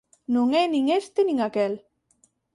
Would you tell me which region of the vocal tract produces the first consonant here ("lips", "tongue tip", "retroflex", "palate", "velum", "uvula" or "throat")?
tongue tip